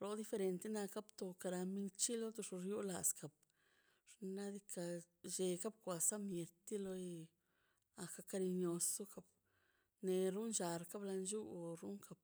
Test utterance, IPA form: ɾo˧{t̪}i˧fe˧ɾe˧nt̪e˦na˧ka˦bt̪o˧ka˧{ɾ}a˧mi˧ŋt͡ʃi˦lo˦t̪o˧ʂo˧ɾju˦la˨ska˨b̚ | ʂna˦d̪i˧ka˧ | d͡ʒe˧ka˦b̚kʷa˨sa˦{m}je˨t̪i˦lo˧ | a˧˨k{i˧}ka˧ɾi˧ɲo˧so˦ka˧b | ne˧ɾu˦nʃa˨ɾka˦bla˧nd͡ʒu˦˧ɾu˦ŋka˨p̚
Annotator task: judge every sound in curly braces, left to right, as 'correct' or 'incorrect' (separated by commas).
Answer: incorrect, correct, correct, incorrect